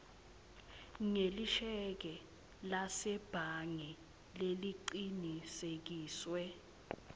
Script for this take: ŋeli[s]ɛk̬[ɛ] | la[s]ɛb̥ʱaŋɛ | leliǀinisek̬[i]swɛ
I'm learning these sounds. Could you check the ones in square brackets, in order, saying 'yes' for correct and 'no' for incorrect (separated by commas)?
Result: no, yes, yes, no